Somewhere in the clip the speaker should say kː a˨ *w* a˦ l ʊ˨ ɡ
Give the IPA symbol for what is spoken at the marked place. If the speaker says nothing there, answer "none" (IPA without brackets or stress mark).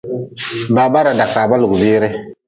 b